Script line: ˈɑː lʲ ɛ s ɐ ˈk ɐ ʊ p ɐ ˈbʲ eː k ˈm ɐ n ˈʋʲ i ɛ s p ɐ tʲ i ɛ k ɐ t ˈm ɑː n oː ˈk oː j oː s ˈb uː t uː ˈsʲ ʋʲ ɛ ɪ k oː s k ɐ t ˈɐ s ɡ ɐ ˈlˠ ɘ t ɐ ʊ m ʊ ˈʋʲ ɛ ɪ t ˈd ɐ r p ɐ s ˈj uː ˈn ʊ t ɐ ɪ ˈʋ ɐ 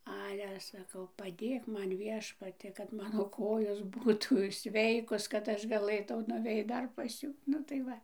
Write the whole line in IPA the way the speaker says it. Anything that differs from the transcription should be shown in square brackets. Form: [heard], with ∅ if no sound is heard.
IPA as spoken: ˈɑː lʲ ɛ s ɐ ˈk ɐ ʊ p ɐ [ˈdʲ] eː k ˈm ɐ n ˈʋʲ i ɛ [ʃ] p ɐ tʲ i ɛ k ɐ t ˈm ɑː n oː ˈk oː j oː s ˈb uː t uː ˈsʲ ʋʲ ɛ ɪ k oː s k ɐ t ˈɐ [ʃ] ɡ ɐ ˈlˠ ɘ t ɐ ʊ [n] ʊ ˈʋʲ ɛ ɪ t ˈd ɐ r p ɐ s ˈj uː ˈn ʊ t ɐ ɪ ˈʋ ɐ

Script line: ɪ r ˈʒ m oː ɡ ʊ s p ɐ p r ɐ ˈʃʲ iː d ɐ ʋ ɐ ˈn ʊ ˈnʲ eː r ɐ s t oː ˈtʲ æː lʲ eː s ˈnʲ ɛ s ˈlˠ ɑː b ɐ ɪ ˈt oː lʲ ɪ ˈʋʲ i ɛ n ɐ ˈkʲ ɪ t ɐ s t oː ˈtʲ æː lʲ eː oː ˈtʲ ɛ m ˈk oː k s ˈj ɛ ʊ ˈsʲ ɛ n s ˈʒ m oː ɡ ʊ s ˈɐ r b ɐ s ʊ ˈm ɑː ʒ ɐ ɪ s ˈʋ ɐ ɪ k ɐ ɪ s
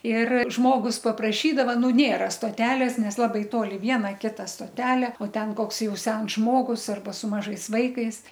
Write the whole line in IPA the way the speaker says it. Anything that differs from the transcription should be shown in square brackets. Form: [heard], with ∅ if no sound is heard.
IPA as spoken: ɪ r ˈʒ m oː ɡ ʊ s p ɐ p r ɐ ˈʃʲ iː d ɐ ʋ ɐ ˈn ʊ ˈnʲ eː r ɐ s t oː ˈtʲ æː lʲ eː s ˈnʲ ɛ s ˈlˠ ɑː b ɐ ɪ ˈt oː lʲ ɪ ˈʋʲ i ɛ n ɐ ˈkʲ ɪ t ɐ s t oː ˈtʲ æː lʲ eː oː ˈtʲ ɛ [n] ˈk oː k s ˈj ɛ ʊ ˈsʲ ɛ n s ˈʒ m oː ɡ ʊ s ˈɐ r b ɐ s ʊ ˈm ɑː ʒ ɐ ɪ s ˈʋ ɐ ɪ k ɐ ɪ s

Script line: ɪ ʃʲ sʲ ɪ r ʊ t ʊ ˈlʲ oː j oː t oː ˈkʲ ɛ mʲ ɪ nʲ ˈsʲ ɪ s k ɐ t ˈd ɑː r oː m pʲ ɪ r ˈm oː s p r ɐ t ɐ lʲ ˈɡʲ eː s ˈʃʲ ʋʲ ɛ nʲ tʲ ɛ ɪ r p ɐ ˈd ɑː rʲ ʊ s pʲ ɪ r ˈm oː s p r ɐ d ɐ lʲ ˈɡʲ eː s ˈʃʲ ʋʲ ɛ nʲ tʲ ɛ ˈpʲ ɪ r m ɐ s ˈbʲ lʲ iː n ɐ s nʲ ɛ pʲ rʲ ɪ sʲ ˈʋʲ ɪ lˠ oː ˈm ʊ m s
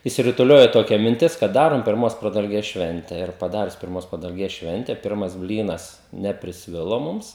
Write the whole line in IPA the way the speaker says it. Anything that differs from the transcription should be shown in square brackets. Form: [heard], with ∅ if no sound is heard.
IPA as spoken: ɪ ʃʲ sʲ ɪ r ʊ t ʊ ˈlʲ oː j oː t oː ˈkʲ ɛ mʲ ɪ nʲ [ˈtʲ] ɪ s k ɐ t ˈd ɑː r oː m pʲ ɪ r ˈm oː s p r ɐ [d] ɐ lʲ ˈɡʲ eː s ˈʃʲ ʋʲ ɛ nʲ tʲ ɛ ɪ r p ɐ ˈd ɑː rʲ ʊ s pʲ ɪ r ˈm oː s p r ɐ d ɐ lʲ ˈɡʲ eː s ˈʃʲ ʋʲ ɛ nʲ tʲ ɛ ˈpʲ ɪ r m ɐ s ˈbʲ lʲ iː n ɐ s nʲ ɛ pʲ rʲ ɪ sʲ ˈʋʲ ɪ lˠ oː ˈm ʊ m s

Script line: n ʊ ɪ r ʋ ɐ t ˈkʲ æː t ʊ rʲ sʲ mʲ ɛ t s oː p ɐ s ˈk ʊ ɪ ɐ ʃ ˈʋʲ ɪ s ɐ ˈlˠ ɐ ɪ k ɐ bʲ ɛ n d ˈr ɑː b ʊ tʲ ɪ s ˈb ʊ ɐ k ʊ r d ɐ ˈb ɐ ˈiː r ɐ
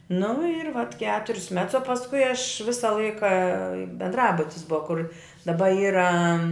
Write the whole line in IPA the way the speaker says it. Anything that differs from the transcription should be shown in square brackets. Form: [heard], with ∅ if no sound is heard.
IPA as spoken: n ʊ ɪ r ʋ ɐ t ˈkʲ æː t ʊ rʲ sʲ mʲ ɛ t s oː p ɐ s ˈk ʊ ɪ ɐ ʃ ˈʋʲ ɪ s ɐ ˈlˠ ɐ ɪ k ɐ bʲ ɛ n d ˈr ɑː b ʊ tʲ ɪ s ˈb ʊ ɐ k ʊ r d ɐ ˈb ɐ ˈiː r ɐ

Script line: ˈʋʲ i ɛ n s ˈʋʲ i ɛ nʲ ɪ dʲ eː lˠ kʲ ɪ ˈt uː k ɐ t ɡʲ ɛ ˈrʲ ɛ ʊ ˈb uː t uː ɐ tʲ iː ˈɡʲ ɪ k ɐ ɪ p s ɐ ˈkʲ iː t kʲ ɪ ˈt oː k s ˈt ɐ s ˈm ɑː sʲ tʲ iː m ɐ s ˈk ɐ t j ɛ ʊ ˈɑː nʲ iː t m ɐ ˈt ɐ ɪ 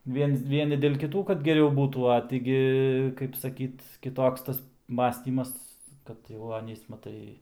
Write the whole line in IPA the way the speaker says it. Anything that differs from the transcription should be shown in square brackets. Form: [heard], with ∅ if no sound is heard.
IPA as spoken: ˈʋʲ i ɛ n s ˈʋʲ i ɛ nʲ ɪ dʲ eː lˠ kʲ ɪ ˈt uː k ɐ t ɡʲ ɛ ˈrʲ ɛ ʊ ˈb uː t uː ɐ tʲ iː ˈɡʲ ɪ k ɐ ɪ p s ɐ ˈkʲ iː t kʲ ɪ ˈt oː k s ˈt ɐ s ˈm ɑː sʲ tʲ iː m ɐ s ˈk ɐ t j ɛ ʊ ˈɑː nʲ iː [s] m ɐ ˈt ɐ ɪ

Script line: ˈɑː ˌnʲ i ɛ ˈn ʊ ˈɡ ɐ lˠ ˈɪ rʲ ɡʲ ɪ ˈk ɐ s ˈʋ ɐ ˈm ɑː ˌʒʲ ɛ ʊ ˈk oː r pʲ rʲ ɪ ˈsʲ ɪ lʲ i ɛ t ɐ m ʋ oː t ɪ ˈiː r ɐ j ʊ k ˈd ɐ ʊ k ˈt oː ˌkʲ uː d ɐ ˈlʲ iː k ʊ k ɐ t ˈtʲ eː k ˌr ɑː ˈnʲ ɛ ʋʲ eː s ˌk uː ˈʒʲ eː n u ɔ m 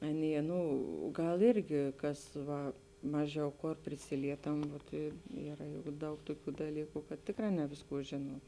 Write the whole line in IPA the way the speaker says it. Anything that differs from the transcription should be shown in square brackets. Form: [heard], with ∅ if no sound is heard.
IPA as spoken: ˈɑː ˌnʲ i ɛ ˈn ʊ ˈɡ ɐ lˠ ˈɪ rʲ ɡʲ ɪ ˈk ɐ s ˈʋ ɐ ˈm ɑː ˌʒʲ ɛ ʊ ˈk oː r pʲ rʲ ɪ ˈsʲ ɪ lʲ i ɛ t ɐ m ʋ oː t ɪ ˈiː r ɐ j ʊ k ˈd ɐ ʊ k ˈt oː ˌkʲ uː d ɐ ˈlʲ iː k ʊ k ɐ t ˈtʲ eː k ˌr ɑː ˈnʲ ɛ ʋʲ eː s ˌk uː ˈʒʲ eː n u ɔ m

